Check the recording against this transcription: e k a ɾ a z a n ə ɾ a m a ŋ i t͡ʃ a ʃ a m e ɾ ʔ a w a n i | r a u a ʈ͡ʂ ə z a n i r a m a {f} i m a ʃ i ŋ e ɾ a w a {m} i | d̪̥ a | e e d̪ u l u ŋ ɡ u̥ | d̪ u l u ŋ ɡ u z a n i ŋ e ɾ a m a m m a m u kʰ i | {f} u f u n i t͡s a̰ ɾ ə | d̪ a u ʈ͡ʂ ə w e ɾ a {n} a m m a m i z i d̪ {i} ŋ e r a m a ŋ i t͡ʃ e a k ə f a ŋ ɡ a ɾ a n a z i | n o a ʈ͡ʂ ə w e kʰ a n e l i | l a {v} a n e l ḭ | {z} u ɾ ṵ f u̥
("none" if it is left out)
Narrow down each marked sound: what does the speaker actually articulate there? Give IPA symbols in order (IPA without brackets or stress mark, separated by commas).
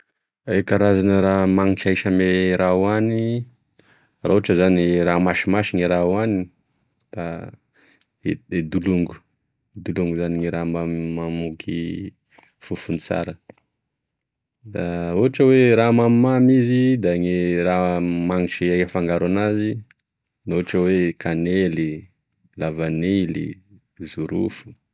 ʃ, n, f, m, a, v, z